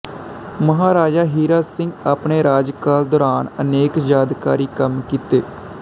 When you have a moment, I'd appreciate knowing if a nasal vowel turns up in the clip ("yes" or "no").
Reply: no